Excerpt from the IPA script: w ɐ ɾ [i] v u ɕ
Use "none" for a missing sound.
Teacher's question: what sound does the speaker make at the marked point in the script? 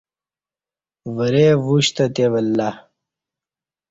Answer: e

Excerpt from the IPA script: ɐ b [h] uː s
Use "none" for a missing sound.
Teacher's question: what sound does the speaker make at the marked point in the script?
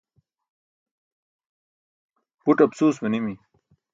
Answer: s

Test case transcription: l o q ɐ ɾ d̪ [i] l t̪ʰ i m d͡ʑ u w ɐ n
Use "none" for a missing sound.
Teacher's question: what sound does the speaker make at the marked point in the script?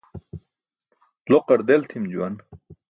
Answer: e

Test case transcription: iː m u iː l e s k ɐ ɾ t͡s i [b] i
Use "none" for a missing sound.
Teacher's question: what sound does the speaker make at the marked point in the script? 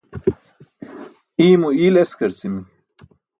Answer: m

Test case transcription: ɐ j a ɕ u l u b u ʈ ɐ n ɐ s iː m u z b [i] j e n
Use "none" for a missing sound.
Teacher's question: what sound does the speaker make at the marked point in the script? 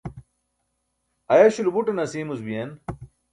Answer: i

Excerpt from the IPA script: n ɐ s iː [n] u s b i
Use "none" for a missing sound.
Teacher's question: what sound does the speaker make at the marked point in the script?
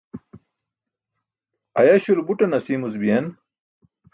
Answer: m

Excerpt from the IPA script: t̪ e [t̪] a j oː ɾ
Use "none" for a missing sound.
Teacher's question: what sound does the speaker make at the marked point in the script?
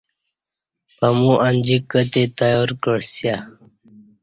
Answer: t̪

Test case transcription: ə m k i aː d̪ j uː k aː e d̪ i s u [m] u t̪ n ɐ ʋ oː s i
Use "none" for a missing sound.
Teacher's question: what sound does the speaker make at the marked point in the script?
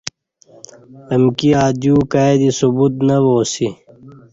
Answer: b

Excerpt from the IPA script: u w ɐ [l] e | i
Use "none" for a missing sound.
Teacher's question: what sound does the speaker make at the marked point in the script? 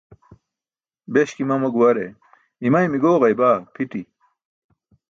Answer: ɾ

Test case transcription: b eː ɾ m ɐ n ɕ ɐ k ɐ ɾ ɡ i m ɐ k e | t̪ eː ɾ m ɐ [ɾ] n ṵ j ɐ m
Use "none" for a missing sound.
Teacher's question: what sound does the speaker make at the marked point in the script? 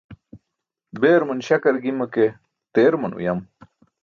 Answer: none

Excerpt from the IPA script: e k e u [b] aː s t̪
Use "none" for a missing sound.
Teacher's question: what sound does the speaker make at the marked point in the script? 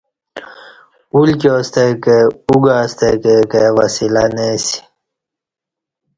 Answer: ɡ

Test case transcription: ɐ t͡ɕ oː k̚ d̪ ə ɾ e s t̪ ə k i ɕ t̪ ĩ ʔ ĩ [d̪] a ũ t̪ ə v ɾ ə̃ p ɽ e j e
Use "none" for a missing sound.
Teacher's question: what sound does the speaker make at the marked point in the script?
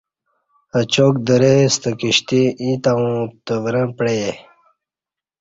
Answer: t̪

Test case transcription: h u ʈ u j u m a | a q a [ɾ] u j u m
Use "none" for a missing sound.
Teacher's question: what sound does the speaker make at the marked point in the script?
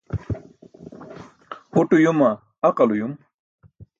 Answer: l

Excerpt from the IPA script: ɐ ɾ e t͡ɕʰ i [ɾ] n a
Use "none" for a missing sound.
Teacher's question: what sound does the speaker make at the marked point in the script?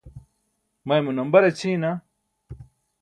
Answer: none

